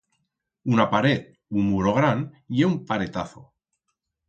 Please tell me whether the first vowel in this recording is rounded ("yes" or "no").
yes